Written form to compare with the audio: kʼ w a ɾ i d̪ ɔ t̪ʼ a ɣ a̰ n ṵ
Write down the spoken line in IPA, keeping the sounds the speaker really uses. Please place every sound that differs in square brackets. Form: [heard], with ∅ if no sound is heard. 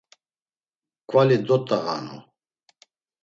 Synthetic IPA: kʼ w a [l] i d̪ ɔ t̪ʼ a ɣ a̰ n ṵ